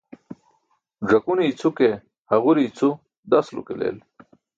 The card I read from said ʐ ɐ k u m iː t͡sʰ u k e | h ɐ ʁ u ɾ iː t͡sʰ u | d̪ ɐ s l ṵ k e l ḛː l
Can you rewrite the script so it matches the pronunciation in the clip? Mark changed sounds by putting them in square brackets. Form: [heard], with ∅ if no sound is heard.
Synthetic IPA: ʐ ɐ k u [n] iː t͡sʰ u k e | h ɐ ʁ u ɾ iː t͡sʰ u | d̪ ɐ s l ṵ k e l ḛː l